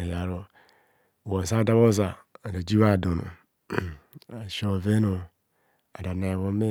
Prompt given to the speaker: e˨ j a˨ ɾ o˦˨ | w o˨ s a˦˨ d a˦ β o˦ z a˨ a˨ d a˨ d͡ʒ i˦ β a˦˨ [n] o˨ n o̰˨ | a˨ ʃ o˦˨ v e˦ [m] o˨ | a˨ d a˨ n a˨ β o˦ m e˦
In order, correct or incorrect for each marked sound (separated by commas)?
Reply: incorrect, incorrect